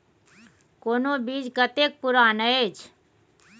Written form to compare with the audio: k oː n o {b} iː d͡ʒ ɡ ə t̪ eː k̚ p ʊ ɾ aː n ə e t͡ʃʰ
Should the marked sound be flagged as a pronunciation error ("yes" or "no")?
no